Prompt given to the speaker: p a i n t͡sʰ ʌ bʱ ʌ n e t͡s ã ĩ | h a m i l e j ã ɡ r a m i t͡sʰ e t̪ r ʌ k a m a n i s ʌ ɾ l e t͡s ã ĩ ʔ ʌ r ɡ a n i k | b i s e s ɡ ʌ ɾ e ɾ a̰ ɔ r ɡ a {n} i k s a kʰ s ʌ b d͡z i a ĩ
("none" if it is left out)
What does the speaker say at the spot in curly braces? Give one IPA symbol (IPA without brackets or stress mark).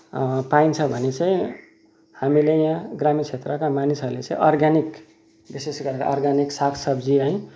n